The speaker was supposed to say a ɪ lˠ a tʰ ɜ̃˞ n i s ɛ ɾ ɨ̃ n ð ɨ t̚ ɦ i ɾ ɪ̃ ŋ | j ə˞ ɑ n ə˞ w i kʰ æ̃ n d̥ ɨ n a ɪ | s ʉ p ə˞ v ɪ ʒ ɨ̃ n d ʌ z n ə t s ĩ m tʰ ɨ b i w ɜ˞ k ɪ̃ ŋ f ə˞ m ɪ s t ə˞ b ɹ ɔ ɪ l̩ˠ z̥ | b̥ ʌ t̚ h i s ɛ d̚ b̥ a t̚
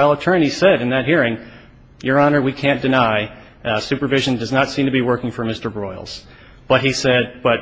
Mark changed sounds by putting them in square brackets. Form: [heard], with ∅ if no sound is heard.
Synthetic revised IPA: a ɪ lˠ [ə] tʰ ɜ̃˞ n i s ɛ ɾ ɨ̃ n ð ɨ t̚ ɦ i [ɹ] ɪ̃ ŋ | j ə˞ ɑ n ə˞ w i kʰ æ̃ n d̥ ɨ n a ɪ | s ʉ p ə˞ v ɪ ʒ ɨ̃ n d ʌ z n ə t s ĩ m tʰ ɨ b i w ɜ˞ k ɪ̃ ŋ f ə˞ m ɪ s t ə˞ b ɹ ɔ ɪ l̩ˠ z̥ | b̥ ʌ t̚ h i s ɛ d̚ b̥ [ʌ] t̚